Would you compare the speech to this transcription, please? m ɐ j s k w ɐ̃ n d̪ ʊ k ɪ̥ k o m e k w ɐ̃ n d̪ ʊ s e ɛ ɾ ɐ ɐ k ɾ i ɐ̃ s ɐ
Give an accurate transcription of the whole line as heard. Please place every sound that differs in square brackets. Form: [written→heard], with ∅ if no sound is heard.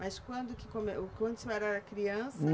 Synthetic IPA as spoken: m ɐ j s k w ɐ̃ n d̪ ʊ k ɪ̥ k o m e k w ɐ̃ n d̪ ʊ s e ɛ ɾ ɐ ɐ k ɾ i ɐ̃ s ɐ